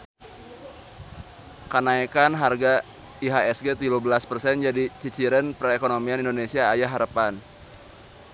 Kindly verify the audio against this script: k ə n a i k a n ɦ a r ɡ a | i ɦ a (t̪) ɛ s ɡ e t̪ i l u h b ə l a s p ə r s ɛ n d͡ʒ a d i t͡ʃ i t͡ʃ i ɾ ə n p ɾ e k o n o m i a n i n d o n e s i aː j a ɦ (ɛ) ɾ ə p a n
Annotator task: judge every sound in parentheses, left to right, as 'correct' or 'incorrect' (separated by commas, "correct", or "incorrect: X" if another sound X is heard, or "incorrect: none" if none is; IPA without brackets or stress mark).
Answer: incorrect: none, incorrect: a